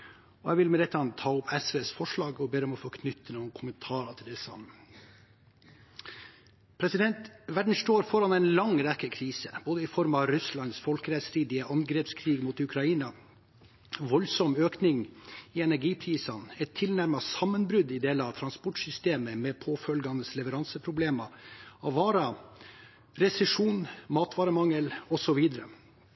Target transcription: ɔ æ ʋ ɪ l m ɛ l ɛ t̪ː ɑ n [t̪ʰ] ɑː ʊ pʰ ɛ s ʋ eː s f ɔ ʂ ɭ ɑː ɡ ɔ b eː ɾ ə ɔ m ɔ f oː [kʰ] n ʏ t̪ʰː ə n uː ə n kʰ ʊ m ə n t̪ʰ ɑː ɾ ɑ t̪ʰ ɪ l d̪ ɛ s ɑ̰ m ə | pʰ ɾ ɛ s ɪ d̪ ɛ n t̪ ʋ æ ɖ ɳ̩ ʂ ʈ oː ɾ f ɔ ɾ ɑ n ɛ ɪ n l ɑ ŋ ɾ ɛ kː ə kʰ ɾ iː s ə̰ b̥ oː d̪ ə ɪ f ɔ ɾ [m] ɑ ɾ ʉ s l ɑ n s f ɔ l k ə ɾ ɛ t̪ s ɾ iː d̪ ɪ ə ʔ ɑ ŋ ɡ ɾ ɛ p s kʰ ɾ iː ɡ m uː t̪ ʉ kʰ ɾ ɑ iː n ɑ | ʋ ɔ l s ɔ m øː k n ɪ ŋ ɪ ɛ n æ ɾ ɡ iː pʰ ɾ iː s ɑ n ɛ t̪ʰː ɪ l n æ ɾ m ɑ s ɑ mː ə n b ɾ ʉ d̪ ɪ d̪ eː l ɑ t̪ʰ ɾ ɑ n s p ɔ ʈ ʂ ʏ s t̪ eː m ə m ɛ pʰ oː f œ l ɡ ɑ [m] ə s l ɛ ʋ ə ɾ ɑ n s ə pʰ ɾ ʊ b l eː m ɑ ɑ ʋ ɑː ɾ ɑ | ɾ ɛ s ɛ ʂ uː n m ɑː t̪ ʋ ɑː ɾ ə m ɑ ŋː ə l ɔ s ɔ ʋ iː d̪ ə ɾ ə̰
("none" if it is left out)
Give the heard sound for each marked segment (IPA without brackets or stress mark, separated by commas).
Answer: t̪ʰ, kʰ, m, n